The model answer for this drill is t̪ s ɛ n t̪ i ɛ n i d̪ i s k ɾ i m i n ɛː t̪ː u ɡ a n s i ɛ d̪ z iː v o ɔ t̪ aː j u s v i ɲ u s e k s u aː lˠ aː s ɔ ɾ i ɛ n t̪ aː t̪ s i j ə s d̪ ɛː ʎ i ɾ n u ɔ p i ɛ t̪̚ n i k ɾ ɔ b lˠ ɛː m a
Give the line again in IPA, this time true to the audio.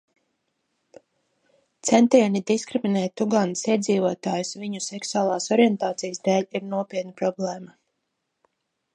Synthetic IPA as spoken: t̪ s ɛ n t̪ i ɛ n i d̪ i s k ɾ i m i n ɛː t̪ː u ɡ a n s i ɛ d̪ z iː v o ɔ t̪ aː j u s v i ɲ u s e k s u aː lˠ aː s ɔ ɾ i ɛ n t̪ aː t̪ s i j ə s d̪ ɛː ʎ i ɾ n u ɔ p i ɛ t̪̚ n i p ɾ ɔ b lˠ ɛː m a